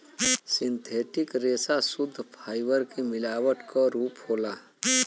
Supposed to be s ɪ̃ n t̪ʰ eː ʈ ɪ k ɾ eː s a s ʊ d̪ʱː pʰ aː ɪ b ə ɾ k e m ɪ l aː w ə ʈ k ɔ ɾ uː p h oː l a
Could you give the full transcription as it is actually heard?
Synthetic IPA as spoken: s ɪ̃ n t̪ʰ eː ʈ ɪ k ɾ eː s a s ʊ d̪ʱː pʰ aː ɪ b ə ɾ k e m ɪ l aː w ə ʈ k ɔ ɾ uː p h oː l a